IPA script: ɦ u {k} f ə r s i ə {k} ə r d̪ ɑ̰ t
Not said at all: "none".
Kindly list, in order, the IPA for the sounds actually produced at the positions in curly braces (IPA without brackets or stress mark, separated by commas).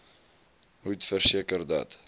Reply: t, k